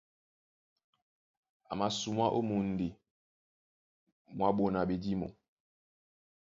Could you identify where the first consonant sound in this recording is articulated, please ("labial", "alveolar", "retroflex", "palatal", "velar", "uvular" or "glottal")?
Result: labial